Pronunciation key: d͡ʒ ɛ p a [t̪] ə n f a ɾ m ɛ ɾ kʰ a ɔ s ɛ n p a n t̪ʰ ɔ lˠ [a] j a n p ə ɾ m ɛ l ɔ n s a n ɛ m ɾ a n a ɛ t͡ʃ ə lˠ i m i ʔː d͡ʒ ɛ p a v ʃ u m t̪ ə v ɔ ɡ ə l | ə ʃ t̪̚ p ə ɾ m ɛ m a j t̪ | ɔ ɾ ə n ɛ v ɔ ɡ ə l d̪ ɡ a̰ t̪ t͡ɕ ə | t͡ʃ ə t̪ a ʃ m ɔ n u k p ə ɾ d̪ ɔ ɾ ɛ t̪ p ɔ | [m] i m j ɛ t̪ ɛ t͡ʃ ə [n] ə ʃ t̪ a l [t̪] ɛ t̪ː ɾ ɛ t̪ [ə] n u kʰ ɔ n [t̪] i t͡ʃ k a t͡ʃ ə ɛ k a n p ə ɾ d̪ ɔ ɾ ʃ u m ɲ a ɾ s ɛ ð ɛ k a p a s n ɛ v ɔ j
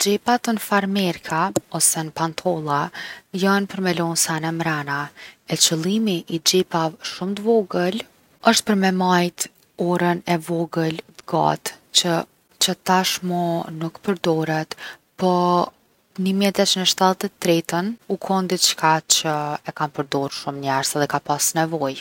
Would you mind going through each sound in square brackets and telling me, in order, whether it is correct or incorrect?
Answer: correct, correct, incorrect, correct, correct, correct, incorrect

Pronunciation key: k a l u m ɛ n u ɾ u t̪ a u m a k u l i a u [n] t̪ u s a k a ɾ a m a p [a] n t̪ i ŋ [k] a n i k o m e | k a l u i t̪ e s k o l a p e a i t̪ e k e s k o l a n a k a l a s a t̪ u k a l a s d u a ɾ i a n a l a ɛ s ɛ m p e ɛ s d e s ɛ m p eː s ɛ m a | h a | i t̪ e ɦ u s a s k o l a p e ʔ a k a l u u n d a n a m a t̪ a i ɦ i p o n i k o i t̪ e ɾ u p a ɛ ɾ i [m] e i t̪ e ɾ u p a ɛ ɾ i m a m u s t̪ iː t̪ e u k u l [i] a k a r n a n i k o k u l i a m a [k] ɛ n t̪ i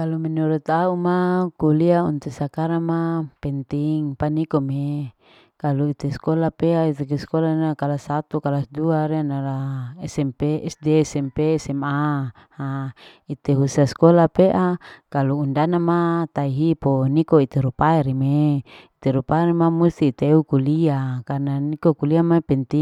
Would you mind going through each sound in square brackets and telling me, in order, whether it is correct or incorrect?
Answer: correct, incorrect, incorrect, correct, correct, incorrect

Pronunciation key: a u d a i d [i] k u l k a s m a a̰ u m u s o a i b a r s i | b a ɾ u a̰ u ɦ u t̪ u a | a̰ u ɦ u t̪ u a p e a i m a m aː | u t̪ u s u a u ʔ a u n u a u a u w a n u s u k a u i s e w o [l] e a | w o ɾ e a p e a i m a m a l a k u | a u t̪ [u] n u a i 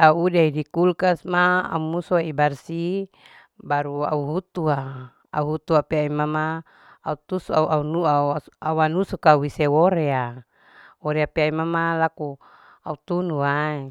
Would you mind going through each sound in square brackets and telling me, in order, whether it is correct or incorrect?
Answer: correct, incorrect, correct

